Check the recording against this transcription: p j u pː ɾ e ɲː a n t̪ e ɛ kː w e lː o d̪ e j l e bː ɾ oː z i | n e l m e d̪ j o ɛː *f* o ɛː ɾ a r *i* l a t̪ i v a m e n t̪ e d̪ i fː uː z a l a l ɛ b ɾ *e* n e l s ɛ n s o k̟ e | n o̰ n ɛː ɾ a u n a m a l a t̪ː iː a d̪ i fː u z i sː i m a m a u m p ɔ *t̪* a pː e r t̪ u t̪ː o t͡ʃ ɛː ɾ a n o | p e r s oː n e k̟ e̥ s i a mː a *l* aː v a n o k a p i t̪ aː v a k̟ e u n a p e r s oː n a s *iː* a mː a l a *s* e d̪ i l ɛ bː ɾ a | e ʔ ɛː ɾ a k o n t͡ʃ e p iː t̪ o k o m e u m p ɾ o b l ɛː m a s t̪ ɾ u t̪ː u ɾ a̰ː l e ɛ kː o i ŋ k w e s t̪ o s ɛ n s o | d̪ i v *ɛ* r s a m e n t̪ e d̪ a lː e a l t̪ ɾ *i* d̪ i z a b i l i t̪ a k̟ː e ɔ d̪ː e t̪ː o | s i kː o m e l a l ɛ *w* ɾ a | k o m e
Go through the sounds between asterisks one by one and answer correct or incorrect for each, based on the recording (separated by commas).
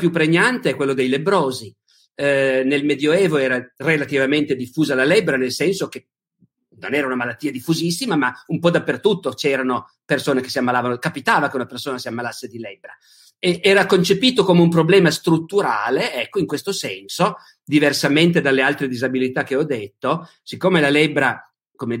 incorrect, incorrect, incorrect, incorrect, correct, incorrect, incorrect, incorrect, incorrect, incorrect